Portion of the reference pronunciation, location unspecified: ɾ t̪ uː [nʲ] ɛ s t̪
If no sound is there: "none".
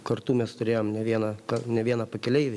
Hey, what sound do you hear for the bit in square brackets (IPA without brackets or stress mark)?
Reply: mʲ